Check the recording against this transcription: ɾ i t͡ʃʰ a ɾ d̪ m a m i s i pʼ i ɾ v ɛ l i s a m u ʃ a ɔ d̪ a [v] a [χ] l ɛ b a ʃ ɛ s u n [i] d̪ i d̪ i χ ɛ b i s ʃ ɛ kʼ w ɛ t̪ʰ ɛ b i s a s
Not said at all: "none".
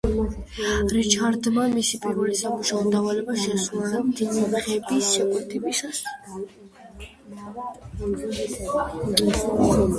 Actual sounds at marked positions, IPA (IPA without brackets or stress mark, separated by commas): v, none, a